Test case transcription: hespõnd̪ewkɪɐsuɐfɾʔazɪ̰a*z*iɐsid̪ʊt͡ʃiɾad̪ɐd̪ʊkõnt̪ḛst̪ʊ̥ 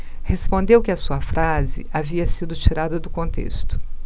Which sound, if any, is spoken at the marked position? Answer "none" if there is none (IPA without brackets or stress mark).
v